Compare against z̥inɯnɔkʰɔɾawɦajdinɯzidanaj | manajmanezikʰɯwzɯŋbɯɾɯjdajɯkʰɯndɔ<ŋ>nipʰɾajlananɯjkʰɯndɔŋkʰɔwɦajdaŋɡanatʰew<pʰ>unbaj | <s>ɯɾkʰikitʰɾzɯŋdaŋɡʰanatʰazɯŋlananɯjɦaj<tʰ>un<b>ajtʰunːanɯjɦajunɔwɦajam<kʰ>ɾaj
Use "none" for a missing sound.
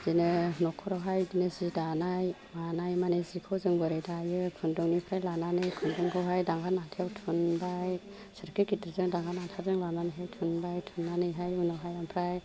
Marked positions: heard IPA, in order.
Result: ŋ, tʰ, s, tʰ, b, pʰ

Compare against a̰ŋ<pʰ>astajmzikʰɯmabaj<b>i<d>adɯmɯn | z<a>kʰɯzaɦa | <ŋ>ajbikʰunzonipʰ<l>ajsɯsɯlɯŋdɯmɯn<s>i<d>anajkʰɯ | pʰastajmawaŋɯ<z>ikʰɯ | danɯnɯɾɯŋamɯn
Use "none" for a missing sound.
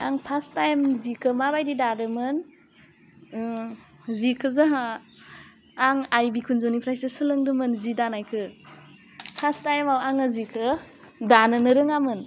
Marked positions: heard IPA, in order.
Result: pʰ, d, d, i, ŋ, ɾ, z, d, z

